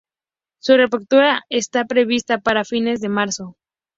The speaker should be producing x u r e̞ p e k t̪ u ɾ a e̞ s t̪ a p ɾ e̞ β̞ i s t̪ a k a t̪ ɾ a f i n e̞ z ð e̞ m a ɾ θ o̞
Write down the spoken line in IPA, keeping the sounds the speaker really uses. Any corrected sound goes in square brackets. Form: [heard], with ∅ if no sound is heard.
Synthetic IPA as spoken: [s] u r e̞ p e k t̪ u ɾ a e̞ s t̪ a p ɾ e̞ β̞ i s t̪ a [p] a [∅] ɾ a f i n e̞ z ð e̞ m a ɾ [s] o̞